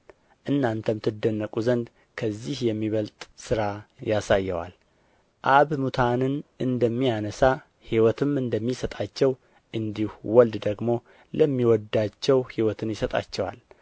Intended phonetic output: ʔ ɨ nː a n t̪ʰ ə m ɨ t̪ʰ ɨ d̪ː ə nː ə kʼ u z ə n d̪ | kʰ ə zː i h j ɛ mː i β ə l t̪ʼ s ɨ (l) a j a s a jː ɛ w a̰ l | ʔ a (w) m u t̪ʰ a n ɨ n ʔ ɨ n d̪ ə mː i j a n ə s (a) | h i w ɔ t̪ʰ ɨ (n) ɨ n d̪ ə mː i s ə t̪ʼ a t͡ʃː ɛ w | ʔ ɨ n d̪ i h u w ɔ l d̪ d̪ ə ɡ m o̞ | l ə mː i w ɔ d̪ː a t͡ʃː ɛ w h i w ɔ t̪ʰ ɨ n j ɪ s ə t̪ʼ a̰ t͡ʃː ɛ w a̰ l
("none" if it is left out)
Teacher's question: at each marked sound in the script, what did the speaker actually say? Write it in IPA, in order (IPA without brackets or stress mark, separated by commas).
ɾ, β, a, m